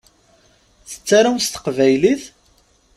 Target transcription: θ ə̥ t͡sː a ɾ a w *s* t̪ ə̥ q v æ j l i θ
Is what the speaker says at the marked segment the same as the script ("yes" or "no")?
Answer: yes